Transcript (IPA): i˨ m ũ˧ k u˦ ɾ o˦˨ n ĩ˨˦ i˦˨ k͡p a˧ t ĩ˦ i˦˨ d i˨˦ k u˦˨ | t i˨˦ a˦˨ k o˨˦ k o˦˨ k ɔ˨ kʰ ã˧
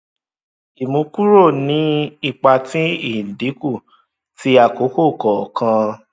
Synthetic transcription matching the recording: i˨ m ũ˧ k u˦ ɾ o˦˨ n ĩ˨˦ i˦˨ k͡p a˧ t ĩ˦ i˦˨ d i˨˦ k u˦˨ | t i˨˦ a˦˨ k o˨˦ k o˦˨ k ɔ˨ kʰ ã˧